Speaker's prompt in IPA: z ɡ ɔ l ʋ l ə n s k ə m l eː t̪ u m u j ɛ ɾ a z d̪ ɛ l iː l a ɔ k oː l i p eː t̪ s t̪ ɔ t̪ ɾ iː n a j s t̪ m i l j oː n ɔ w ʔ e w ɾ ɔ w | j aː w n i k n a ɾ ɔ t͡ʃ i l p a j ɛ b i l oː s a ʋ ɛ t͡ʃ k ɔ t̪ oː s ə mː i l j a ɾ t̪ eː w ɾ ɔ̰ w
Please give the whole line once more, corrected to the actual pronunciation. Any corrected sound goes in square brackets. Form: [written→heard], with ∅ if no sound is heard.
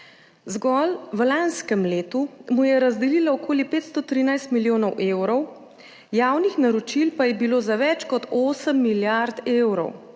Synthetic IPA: z ɡ ɔ l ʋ l [ə→a] n s k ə m l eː t̪ u m u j ɛ ɾ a z d̪ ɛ l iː l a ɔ k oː l i p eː t̪ s t̪ ɔ t̪ ɾ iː n a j s t̪ m i l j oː n ɔ w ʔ e w ɾ ɔ w | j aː w n i [k→x] n a ɾ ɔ t͡ʃ i l p a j ɛ b i l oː [s→z] a ʋ ɛ t͡ʃ k ɔ t̪ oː s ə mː i l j a ɾ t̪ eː w ɾ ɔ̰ w